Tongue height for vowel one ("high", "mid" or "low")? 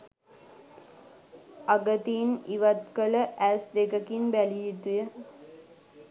low